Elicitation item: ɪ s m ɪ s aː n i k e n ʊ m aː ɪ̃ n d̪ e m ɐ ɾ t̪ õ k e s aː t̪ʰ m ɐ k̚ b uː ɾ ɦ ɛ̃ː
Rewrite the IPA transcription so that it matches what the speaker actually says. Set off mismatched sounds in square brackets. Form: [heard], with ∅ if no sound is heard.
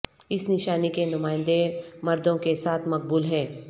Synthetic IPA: ɪ s [n] ɪ [ʃ] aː n i k e n ʊ m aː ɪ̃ n d̪ e m ɐ ɾ [d̪] õ k e s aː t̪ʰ m ɐ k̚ b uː [l] ɦ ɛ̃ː